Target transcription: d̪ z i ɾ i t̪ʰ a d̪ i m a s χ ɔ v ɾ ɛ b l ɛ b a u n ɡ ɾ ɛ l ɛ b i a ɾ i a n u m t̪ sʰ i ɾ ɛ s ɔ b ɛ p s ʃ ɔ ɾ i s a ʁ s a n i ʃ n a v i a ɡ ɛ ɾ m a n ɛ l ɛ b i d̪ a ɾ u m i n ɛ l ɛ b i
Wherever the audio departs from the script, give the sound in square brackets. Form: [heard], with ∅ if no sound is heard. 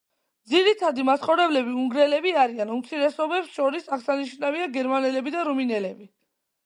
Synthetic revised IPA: d̪ z i ɾ i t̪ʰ a d̪ i m a s χ ɔ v ɾ ɛ b l ɛ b [i] u [ŋ] ɡ ɾ ɛ l ɛ b i a ɾ i a n u m t̪ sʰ i ɾ ɛ s ɔ b ɛ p s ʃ ɔ ɾ i s a ʁ s a n i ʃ n a v i a ɡ ɛ ɾ m a n ɛ l ɛ b i d̪ a ɾ u m i n ɛ l ɛ b i